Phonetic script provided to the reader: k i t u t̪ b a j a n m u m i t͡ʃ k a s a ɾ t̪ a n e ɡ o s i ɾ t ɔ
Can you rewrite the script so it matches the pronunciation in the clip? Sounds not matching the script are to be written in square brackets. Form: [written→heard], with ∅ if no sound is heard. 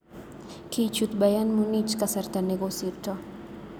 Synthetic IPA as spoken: k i [t→t͡ʃ] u t̪ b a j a n m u [m→n] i t͡ʃ k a s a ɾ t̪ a n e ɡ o s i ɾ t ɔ